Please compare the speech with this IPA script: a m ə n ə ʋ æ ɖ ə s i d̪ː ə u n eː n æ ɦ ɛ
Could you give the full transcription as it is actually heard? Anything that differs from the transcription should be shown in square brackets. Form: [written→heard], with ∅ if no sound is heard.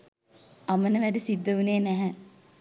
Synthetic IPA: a m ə n ə ʋ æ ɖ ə s i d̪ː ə u n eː n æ ɦ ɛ